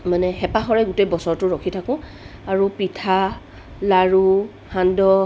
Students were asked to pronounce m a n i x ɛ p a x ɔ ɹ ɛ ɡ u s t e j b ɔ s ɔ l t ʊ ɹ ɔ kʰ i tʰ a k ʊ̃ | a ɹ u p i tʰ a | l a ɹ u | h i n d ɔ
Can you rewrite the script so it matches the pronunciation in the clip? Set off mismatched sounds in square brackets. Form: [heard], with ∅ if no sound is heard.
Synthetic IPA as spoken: m a n [ɛ] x ɛ p a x ɔ ɹ ɛ ɡ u [∅] t e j b ɔ s ɔ [ɹ] t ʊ ɹ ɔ kʰ i tʰ a k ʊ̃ | a ɹ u p i tʰ a | l a ɹ u | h [a] n d ɔ